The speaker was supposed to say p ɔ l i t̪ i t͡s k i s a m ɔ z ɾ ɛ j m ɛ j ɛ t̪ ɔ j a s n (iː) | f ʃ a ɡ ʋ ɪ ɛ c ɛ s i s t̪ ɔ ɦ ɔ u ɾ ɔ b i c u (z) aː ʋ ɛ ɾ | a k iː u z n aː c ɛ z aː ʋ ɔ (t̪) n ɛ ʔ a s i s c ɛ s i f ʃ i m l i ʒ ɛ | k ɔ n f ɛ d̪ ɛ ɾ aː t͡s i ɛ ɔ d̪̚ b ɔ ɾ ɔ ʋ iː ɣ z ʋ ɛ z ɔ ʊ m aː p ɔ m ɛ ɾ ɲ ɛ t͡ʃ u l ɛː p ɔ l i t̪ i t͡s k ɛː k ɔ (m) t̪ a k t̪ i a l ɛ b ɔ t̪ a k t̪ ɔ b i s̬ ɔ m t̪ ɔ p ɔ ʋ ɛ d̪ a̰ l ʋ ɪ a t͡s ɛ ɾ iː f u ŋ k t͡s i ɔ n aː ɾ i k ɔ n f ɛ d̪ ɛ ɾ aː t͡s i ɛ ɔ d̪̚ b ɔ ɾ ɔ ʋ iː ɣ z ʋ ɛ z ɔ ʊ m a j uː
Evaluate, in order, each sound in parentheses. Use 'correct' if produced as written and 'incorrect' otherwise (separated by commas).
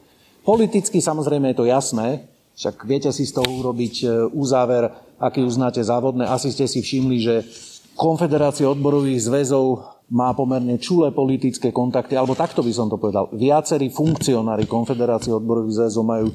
incorrect, correct, incorrect, incorrect